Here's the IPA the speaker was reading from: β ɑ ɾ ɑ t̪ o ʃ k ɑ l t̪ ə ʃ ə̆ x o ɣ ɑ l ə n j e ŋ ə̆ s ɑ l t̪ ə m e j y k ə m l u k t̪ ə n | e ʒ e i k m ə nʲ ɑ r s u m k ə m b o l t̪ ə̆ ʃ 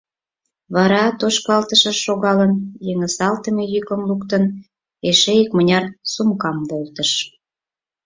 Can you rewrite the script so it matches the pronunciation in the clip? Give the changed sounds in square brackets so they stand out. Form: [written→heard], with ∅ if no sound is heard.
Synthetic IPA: β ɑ ɾ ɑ t̪ o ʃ k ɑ l t̪ ə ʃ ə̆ [x→ʃ] o ɣ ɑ l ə n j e ŋ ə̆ s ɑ l t̪ ə m e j y k ə m l u k t̪ ə n | e [ʒ→ʃ] e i k m ə nʲ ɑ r s u m k [ə→ɑ] m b o l t̪ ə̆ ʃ